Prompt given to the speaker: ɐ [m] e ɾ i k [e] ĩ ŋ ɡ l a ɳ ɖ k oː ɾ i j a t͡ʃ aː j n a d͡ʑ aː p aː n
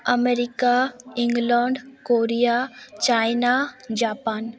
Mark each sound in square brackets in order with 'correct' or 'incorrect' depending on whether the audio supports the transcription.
correct, incorrect: a

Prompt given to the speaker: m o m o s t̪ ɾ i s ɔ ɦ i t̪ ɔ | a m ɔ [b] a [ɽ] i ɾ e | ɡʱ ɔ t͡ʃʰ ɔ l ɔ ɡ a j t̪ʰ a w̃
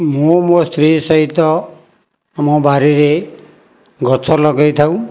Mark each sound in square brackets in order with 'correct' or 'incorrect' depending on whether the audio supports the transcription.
correct, incorrect: ɾ

